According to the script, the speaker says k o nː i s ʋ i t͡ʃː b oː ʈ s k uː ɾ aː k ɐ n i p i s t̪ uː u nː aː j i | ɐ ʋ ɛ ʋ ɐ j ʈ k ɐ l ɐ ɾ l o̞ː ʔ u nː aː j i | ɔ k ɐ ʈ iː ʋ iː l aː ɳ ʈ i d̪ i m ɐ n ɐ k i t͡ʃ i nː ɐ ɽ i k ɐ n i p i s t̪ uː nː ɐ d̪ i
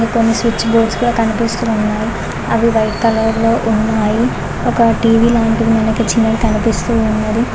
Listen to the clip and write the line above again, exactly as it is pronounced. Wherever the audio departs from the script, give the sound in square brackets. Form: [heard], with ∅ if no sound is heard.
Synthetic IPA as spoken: k o nː i s ʋ i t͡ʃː b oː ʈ s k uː [ɽ] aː k ɐ n i p i s t̪ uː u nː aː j i | ɐ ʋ [i] ʋ ɐ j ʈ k ɐ l ɐ ɾ l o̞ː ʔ u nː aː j i | ɔ k ɐ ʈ iː ʋ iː l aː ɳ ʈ i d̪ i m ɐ n ɐ k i t͡ʃ i nː ɐ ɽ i k ɐ n i p i s t̪ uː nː ɐ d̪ i